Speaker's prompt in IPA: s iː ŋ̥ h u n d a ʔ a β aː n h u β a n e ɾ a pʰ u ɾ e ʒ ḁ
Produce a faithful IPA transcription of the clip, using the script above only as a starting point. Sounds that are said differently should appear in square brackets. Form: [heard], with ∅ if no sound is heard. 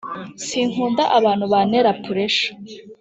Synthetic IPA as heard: s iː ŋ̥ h [uː] n d a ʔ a β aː n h u β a n e ɾ a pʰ u ɾ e [ʃ] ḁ